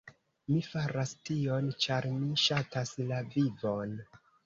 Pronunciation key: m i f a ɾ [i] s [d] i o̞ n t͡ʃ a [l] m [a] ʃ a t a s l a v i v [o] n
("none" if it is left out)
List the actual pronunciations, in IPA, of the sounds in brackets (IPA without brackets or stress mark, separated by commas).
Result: a, t, ɾ, i, o